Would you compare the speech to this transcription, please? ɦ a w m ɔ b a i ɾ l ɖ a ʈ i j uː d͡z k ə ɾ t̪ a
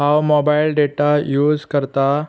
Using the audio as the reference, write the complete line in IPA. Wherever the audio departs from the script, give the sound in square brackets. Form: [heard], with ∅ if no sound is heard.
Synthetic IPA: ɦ a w m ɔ b a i [∅] l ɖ [e] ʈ [a] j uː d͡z k ə ɾ t̪ a